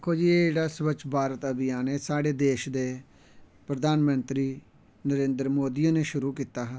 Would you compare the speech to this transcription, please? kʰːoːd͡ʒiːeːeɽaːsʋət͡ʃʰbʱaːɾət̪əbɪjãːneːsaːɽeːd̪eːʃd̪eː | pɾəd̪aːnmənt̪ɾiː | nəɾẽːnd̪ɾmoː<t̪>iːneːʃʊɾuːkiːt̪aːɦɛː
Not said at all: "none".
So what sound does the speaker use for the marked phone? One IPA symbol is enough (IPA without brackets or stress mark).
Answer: d̪